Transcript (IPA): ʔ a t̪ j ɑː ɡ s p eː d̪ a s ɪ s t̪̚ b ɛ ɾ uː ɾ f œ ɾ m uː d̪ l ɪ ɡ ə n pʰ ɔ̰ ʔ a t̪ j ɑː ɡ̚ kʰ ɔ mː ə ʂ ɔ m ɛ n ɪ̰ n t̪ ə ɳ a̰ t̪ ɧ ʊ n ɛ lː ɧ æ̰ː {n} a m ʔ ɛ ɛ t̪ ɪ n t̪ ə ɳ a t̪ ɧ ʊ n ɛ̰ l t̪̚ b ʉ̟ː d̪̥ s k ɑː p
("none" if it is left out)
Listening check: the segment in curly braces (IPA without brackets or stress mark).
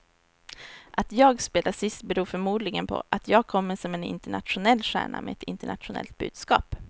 ɳ